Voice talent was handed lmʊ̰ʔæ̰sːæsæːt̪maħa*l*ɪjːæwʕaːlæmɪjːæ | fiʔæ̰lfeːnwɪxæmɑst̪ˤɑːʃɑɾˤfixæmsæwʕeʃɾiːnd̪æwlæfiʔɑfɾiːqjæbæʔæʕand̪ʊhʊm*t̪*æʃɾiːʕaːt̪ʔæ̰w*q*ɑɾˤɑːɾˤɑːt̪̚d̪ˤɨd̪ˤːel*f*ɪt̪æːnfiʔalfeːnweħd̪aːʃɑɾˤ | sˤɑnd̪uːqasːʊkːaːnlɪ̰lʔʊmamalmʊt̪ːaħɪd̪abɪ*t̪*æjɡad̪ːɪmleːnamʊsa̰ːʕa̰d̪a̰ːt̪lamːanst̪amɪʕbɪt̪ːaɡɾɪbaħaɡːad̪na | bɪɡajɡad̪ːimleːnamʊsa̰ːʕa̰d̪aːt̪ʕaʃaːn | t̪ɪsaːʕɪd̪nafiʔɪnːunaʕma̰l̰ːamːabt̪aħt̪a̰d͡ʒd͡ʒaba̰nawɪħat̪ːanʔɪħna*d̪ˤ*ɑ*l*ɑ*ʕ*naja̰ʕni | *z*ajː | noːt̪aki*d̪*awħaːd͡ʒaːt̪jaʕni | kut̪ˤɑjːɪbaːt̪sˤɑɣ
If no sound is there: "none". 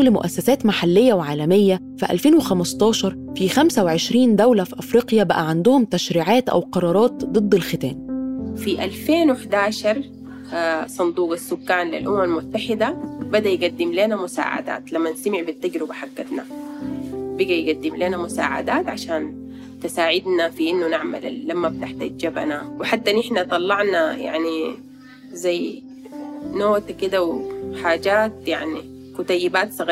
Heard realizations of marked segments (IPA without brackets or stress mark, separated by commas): lː, t̪, q, x, d̪, t̪ˤ, lː, ʕ, z, d̪